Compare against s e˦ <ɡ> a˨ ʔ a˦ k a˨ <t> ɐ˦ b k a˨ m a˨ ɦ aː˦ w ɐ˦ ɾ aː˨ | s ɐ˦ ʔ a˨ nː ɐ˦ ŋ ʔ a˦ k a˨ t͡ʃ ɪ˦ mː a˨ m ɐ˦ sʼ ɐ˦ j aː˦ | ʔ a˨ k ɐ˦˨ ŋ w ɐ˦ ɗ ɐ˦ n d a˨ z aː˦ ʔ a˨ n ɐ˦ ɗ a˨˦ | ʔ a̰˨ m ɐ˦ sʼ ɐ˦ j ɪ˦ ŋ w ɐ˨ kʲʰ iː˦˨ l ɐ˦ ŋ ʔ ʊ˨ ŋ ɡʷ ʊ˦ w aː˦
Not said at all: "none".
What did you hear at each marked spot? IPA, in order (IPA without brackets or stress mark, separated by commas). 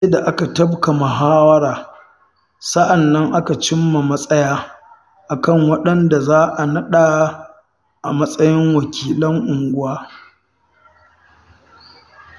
d, t